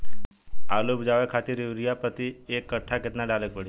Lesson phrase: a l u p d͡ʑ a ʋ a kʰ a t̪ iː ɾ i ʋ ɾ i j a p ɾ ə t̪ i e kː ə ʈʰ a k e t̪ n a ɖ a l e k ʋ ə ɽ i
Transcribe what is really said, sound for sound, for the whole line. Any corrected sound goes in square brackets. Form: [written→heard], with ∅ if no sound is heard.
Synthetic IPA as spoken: a l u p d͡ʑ a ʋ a kʰ a t̪ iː ɾ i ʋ ɾ i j a p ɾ ə t̪ i e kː ə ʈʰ a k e t̪ n a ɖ a l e k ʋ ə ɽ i